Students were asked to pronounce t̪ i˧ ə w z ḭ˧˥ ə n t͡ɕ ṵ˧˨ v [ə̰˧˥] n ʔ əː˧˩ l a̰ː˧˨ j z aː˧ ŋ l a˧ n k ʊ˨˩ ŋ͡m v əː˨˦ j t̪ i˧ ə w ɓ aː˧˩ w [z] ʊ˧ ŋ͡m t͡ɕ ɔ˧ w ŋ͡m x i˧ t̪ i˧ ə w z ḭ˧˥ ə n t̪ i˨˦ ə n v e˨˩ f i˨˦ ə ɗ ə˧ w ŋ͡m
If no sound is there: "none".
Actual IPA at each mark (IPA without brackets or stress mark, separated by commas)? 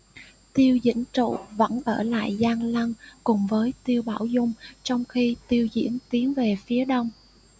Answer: ə̰˧˥, z